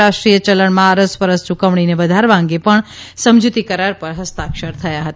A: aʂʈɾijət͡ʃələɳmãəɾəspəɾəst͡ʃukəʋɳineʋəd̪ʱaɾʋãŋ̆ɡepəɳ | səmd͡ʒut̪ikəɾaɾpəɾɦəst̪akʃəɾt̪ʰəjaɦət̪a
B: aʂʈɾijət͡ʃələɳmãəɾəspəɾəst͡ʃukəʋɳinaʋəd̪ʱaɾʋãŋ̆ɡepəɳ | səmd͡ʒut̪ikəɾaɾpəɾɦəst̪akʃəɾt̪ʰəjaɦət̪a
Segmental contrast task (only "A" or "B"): A